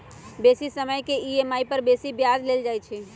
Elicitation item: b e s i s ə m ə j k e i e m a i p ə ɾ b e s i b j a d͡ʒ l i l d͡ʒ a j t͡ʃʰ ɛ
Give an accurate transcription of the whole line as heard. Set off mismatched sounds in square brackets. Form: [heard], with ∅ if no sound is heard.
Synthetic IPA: b e s i s ə m ə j k e i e m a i p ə ɾ b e s i b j a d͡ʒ l [e] l d͡ʒ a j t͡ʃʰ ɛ